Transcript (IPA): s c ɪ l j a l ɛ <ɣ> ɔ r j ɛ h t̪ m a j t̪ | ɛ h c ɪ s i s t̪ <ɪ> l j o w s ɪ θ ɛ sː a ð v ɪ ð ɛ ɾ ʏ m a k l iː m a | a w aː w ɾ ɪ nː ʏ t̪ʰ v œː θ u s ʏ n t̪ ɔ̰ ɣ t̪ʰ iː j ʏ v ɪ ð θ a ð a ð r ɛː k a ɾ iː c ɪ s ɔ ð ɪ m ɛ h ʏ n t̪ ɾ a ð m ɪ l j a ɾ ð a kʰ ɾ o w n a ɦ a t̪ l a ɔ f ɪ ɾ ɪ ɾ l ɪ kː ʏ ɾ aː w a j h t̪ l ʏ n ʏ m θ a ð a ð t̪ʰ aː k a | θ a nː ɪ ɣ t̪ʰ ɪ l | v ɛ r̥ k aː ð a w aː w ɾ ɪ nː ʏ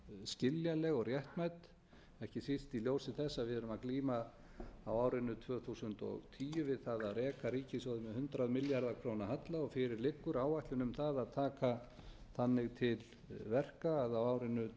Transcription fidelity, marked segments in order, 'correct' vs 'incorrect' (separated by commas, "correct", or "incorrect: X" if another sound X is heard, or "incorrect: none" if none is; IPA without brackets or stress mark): correct, incorrect: i